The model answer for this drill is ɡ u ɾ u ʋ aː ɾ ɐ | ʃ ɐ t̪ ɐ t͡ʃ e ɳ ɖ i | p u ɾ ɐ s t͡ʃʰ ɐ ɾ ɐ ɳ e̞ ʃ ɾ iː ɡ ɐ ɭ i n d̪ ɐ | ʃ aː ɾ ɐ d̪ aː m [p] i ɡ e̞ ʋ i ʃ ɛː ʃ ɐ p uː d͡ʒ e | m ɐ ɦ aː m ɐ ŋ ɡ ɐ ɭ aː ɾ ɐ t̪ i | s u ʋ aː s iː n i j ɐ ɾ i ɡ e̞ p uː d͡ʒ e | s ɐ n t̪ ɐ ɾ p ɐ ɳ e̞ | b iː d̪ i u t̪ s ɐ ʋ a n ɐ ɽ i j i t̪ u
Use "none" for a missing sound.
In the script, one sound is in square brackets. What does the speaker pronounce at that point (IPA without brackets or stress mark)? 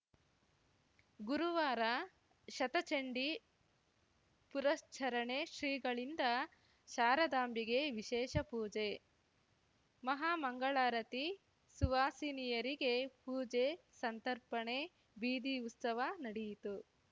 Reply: b